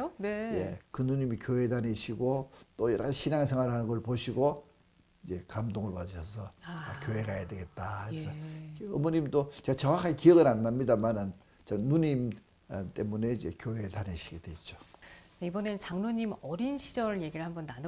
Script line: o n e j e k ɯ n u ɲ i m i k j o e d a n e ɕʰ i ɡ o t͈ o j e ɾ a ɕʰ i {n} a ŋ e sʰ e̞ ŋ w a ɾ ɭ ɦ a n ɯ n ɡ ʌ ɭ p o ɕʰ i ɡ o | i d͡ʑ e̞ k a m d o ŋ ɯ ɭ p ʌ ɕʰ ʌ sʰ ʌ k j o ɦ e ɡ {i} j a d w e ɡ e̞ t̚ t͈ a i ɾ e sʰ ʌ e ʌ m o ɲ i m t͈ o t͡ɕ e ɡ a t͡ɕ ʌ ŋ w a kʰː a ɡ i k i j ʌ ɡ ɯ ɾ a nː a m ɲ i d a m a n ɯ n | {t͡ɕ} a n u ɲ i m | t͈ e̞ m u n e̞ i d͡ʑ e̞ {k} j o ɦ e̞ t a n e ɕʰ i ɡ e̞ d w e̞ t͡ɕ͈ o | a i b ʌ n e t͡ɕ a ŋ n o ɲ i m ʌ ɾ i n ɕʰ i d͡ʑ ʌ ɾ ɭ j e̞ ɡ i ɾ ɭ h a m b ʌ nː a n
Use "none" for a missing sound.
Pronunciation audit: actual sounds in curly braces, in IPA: n, a, t͡ɕ, k

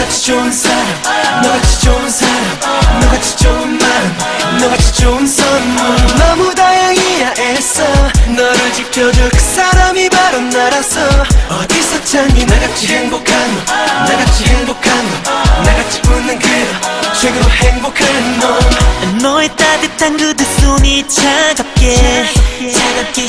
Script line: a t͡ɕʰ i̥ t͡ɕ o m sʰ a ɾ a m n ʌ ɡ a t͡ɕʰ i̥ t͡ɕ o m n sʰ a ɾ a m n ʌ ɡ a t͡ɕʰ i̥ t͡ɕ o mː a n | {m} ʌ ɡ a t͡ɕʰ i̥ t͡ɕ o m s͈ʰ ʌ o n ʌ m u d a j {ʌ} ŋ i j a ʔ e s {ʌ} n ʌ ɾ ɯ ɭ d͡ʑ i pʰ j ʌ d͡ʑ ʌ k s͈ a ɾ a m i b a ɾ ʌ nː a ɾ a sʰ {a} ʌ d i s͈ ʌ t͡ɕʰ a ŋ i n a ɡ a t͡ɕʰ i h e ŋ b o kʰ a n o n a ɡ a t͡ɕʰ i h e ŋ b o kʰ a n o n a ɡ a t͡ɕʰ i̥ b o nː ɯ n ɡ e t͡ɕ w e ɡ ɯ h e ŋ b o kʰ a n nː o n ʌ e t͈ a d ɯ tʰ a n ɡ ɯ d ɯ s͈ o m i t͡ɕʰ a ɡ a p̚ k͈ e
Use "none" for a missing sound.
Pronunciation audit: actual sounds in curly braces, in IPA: n, a, ʌ, ʌ

